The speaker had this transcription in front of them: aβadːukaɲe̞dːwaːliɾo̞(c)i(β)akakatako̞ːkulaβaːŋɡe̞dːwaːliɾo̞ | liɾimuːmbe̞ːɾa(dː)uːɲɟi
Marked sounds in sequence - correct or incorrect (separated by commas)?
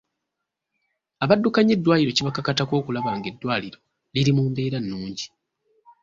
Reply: correct, correct, incorrect